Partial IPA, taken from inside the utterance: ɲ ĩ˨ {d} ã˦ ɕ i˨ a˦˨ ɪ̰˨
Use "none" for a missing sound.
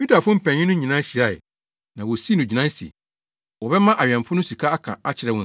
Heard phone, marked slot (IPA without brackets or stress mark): n